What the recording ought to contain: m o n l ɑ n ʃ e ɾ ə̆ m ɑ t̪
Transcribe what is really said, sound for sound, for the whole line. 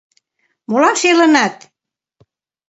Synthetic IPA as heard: m o l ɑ m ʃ e l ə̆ n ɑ t̪